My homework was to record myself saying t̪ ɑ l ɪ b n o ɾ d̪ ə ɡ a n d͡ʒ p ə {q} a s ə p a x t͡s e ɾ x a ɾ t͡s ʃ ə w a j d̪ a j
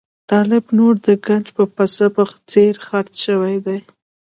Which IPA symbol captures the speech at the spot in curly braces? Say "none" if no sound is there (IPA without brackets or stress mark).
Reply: p